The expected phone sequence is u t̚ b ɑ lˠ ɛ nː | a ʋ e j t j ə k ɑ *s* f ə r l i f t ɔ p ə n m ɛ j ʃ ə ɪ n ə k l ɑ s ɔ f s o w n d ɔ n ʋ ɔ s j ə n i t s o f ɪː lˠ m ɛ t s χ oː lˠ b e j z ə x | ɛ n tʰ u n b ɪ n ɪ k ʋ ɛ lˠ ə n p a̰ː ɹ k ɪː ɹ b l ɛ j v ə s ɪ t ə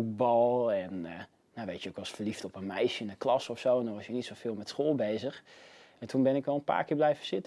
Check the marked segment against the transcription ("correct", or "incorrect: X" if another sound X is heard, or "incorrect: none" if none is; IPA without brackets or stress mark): correct